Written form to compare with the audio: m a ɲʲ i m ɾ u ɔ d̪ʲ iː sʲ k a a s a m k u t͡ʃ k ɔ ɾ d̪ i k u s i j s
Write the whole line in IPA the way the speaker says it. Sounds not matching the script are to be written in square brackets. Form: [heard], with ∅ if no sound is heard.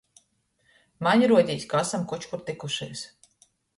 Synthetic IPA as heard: m a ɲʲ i [∅] ɾ u ɔ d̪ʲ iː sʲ k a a s a m k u t͡ʃ k [u] ɾ [t̪] i k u [ʃ] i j s